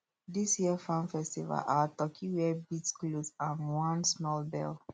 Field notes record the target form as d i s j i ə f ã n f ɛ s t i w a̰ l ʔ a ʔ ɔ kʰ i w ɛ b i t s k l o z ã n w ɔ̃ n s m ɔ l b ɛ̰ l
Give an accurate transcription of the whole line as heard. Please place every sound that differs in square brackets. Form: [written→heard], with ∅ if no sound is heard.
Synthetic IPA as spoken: d i s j i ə f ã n f ɛ s t i [w→v] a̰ l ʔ a [ʔ→t] ɔ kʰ i w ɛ b i t s k l o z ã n w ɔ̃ n s m ɔ l b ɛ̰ l